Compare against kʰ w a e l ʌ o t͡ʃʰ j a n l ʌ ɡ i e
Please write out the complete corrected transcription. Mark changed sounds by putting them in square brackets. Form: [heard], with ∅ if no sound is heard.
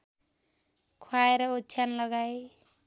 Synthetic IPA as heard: kʰ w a e [ɾ] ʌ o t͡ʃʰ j a n l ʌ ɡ [a] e